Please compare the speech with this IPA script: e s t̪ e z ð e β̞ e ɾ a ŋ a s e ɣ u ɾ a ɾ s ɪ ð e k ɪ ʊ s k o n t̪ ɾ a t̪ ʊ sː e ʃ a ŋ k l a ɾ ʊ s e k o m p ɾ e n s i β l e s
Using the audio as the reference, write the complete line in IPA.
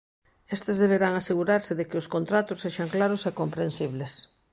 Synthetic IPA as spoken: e s t̪ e z ð e β̞ e ɾ a ŋ a s e ɣ u ɾ a ɾ s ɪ ð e k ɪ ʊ s k o n t̪ ɾ a t̪ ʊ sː e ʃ a ŋ k l a ɾ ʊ s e k o m p ɾ e n s i β l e s